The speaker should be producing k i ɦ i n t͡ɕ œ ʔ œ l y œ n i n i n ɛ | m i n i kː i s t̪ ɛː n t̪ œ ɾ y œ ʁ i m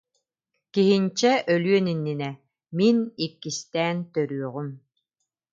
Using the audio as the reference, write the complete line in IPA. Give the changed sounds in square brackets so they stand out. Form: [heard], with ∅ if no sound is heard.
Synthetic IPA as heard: k i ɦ i n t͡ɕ [ɛ] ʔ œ l y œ n i [nː] i n ɛ | m i n i kː i s t̪ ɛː n t̪ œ ɾ y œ ʁ [y] m